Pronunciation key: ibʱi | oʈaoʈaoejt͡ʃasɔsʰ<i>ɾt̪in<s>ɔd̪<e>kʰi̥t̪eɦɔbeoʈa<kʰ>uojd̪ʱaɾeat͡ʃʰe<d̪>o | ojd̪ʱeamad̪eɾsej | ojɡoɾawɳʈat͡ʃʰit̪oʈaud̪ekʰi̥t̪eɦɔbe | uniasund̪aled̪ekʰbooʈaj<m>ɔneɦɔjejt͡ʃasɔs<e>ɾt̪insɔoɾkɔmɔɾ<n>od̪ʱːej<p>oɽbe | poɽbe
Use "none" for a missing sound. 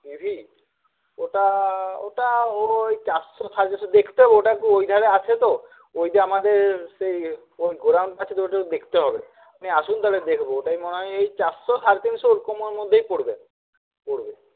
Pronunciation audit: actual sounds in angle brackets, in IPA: a, s, e, k, t̪, m, a, m, p

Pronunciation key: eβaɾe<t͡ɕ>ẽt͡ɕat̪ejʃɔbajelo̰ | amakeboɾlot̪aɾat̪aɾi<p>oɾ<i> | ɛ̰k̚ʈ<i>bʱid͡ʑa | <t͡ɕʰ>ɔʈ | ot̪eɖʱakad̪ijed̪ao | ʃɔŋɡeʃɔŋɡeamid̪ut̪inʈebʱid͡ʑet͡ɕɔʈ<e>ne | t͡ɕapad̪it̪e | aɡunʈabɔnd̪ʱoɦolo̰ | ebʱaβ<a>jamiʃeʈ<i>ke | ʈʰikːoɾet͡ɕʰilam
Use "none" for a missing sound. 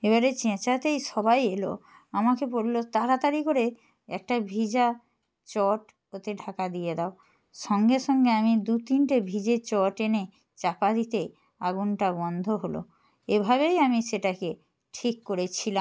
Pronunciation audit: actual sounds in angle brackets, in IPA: t͡ɕ, k, e, a, t͡ɕ, e, e, a

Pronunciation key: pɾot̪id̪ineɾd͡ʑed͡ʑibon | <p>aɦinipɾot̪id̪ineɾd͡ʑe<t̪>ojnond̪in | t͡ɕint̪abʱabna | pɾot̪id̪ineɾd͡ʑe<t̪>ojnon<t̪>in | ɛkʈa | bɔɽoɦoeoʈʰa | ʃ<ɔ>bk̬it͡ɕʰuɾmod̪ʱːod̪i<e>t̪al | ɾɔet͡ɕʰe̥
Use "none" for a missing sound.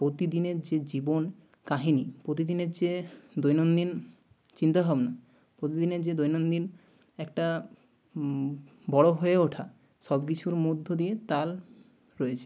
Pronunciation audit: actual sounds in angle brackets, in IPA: k, d̪, d̪, d̪, ɔ, e

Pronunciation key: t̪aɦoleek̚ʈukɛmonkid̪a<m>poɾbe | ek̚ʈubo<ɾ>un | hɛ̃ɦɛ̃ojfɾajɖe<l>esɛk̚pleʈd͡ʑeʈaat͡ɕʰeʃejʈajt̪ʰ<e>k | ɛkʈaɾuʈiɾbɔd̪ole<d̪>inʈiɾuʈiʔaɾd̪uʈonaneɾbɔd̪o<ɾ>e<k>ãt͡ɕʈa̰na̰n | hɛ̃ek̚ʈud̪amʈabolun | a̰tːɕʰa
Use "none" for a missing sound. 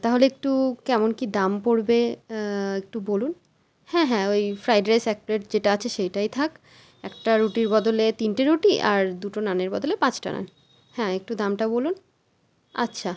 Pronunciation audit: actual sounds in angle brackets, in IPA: m, l, ɾ, a, t̪, l, p

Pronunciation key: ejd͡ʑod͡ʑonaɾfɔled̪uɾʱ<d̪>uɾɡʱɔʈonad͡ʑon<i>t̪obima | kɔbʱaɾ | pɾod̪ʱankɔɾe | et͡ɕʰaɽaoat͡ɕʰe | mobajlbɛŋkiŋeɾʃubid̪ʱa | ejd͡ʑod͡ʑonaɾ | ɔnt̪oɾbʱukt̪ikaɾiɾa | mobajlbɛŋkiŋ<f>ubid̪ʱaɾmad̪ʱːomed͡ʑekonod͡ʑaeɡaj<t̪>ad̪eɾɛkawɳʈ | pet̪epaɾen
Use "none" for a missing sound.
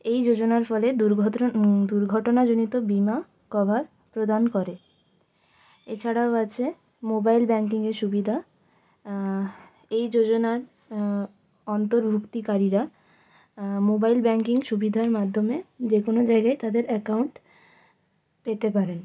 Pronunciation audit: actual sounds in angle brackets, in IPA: d̪, i, ʃ, t̪

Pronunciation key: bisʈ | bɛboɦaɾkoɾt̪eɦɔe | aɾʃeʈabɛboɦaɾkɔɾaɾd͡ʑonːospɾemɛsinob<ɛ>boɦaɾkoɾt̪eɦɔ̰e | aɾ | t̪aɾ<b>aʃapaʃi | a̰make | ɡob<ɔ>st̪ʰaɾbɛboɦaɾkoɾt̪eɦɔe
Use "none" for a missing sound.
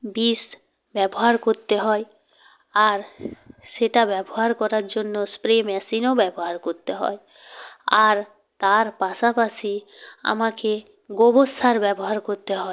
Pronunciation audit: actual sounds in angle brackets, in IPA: ɛ, p, o

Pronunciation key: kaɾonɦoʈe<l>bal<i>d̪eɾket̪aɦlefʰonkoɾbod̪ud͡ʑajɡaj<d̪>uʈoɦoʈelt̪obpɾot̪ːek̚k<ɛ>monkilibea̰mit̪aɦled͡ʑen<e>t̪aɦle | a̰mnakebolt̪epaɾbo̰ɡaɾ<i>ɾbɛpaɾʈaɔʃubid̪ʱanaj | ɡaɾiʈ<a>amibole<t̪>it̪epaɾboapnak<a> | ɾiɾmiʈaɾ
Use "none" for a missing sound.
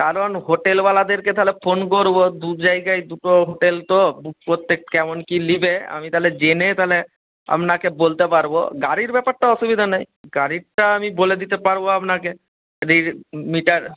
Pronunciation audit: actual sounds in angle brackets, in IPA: l, a, d̪, ɛ, e, i, a, d̪, e

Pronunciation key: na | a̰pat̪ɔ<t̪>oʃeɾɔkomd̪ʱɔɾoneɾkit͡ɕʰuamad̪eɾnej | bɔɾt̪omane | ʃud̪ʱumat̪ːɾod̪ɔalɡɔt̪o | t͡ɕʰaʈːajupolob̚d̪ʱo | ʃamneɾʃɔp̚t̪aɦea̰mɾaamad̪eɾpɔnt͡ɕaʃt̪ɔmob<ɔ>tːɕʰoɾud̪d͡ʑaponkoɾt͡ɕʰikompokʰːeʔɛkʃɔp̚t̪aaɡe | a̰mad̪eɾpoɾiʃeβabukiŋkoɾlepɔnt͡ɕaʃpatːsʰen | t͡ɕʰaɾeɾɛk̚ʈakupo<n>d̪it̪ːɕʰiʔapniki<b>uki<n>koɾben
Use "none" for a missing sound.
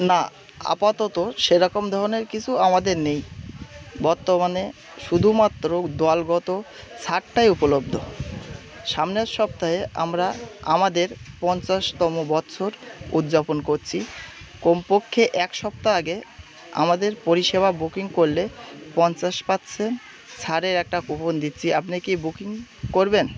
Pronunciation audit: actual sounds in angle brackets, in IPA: t̪, ɔ, n, b, ŋ

